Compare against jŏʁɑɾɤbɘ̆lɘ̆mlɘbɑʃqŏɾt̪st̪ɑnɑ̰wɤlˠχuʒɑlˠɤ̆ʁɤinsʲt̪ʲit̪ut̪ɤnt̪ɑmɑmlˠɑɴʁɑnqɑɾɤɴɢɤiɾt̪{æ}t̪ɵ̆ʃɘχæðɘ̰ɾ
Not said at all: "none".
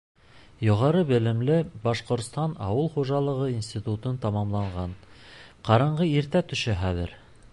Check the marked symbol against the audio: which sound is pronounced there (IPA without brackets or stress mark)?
æ